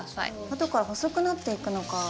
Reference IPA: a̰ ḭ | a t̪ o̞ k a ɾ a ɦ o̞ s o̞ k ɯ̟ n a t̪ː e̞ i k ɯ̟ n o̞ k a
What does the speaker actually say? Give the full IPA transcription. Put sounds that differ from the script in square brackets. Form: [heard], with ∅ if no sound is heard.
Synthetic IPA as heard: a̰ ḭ | a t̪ o̞ k a ɾ a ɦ o̞ s o̞ k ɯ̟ n a t̪ː e̞ i k ɯ̟ n o̞ k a